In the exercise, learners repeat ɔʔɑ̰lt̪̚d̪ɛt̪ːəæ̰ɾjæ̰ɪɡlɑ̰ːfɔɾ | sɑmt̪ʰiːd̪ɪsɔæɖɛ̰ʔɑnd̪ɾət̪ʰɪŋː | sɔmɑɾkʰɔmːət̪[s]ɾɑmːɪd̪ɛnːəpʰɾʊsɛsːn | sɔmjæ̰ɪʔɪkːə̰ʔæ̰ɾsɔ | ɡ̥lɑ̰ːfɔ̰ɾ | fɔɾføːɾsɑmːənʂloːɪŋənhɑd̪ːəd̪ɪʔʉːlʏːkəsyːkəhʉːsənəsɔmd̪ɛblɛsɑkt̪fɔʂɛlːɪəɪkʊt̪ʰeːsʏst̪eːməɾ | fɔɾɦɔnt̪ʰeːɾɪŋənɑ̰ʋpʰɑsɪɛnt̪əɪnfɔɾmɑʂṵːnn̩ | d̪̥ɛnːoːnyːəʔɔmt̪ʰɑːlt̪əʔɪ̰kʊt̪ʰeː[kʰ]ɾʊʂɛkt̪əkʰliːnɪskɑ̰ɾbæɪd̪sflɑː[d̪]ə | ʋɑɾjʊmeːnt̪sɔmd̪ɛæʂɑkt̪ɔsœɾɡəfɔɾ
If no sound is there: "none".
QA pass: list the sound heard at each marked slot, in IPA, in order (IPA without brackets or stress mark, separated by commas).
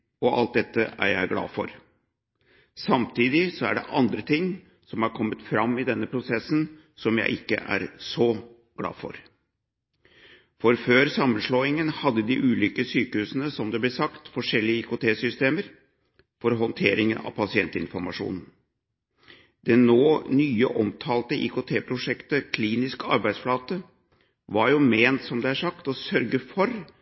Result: f, pʰ, t̪